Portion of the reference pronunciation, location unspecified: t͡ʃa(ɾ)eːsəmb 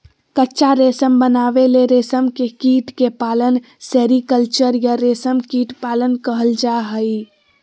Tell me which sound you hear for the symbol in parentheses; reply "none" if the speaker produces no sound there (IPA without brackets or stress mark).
ɾ